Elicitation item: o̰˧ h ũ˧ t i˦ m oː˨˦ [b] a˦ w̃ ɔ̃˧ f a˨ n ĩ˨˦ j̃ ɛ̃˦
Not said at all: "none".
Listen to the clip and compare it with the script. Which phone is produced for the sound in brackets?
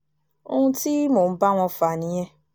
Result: b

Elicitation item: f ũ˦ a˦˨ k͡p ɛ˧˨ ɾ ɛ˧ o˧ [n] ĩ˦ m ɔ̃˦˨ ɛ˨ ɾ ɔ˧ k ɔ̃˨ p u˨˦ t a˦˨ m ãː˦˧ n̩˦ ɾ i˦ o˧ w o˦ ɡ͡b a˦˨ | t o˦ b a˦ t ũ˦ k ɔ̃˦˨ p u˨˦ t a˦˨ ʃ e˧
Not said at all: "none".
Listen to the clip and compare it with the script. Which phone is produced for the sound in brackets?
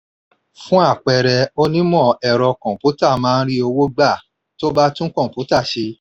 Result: n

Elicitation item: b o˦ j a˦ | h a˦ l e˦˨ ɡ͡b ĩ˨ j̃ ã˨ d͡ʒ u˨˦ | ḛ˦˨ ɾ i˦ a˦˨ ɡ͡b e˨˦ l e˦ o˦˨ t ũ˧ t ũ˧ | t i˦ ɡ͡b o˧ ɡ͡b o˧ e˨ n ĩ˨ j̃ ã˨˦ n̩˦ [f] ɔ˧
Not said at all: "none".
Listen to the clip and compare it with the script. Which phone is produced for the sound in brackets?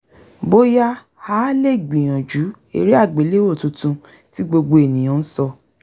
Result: s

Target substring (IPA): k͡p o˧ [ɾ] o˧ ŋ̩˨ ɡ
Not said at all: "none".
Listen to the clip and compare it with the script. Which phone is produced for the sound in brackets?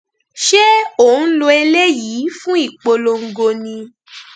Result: l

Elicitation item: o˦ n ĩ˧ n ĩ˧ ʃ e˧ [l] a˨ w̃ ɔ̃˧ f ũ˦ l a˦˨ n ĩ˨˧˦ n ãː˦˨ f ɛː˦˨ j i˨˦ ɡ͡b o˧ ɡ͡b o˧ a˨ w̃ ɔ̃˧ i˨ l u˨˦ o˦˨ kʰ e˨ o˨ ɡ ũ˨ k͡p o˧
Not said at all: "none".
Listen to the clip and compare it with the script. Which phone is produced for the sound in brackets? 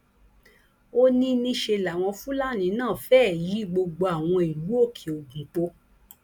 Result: l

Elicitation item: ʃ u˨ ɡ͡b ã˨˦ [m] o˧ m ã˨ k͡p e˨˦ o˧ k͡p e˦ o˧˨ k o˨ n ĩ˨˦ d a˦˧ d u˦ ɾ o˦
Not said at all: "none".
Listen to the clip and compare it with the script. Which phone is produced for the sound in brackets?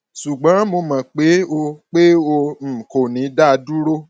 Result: m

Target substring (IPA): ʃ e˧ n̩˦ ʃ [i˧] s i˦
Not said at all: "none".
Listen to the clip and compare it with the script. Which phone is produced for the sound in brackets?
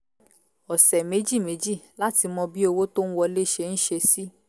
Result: e˧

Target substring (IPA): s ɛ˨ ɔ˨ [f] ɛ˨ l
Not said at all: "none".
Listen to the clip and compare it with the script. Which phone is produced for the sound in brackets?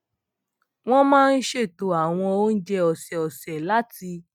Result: s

